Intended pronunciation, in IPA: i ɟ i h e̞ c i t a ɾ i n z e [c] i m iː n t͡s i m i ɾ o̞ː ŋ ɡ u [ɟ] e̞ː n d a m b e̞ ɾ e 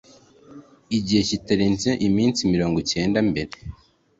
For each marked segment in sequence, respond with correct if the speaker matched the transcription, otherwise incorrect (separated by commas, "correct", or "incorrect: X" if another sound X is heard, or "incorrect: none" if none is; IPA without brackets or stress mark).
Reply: incorrect: ʔ, incorrect: c